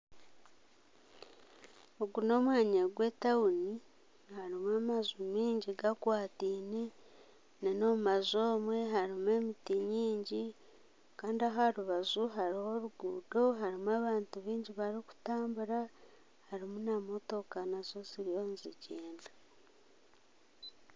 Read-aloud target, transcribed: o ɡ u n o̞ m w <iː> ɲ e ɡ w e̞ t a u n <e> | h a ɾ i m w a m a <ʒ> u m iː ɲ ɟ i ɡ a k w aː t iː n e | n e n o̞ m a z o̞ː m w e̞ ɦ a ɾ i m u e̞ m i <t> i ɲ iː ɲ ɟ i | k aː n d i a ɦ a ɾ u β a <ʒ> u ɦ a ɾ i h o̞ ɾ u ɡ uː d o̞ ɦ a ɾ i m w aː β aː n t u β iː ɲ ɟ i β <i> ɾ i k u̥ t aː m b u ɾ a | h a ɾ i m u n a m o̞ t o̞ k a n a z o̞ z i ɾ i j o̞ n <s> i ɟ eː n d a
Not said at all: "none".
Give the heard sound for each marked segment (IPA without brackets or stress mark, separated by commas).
aː, i, z, t, z, a, z